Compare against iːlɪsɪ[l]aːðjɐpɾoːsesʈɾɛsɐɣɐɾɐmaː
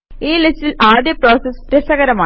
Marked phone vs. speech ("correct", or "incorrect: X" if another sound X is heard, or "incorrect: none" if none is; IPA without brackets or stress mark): correct